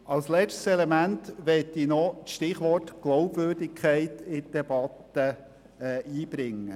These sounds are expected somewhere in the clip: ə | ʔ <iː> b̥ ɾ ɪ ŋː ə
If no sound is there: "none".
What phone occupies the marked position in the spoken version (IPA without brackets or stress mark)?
iː